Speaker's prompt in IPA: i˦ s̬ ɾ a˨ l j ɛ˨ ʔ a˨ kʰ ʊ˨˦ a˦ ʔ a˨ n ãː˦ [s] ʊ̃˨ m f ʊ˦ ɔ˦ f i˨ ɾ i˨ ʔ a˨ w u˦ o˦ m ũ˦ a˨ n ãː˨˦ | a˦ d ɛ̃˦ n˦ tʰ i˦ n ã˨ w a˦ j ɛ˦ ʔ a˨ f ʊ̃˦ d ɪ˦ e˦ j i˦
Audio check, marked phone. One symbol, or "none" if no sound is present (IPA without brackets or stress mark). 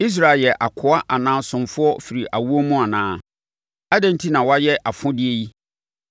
s